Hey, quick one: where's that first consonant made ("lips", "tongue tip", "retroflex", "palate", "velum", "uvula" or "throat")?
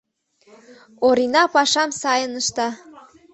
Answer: tongue tip